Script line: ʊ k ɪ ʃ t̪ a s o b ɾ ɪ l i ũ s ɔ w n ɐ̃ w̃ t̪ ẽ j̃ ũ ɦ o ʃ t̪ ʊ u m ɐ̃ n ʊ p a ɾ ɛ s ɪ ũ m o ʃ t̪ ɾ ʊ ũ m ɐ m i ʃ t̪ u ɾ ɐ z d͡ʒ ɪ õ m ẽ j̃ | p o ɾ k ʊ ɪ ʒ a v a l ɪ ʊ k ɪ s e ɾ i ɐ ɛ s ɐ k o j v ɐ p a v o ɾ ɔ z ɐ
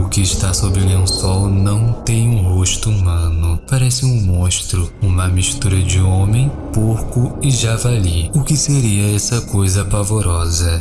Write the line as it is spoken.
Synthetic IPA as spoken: ʊ k ɪ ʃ t̪ a s o b ɾ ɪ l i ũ s ɔ w n ɐ̃ w̃ t̪ ẽ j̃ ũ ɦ o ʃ t̪ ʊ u m ɐ̃ n ʊ p a ɾ ɛ s ɪ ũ m õ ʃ t̪ ɾ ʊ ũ m ɐ m i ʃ t̪ u ɾ ɐ d͡ʒ ɪ õ m ẽ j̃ | p o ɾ k ʊ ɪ ʒ a v a l i ʊ k ɪ s e ɾ i ɐ ɛ s ɐ k o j z ɐ p a v o ɾ ɔ z ɐ